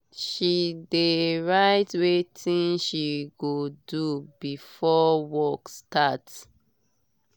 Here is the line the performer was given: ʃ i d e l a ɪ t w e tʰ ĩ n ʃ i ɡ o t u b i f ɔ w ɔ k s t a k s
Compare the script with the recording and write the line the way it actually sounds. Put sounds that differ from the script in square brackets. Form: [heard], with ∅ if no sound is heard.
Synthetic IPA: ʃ i d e [ɹ] a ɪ t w e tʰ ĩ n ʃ i ɡ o [d] u b i f ɔ w ɔ k s t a [t] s